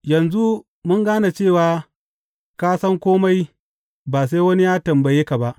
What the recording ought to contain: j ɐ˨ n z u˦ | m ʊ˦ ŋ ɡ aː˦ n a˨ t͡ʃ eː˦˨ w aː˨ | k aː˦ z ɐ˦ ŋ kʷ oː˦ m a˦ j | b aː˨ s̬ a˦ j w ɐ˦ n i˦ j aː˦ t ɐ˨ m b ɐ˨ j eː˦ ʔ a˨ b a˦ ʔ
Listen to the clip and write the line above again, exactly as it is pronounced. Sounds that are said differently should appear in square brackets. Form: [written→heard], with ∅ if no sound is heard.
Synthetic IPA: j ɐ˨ n z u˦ | m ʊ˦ ŋ ɡ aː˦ n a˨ t͡ʃ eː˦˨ w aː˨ | k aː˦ [z→s] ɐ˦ ŋ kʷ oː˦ m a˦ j | b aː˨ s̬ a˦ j w ɐ˦ n i˦ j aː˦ t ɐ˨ m b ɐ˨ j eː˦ [ʔ→k] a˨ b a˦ ʔ

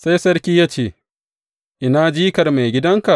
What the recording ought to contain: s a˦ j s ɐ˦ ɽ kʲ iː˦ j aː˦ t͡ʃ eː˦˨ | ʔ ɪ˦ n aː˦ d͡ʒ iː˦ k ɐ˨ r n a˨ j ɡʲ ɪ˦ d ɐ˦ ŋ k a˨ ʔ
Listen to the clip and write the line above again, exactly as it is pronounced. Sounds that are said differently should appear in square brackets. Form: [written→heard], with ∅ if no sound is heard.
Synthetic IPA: s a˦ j s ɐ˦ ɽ kʲ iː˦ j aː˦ t͡ʃ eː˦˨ | ʔ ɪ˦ n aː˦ d͡ʒ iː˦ k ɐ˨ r [n→m] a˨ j ɡʲ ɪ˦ d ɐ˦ ŋ k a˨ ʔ

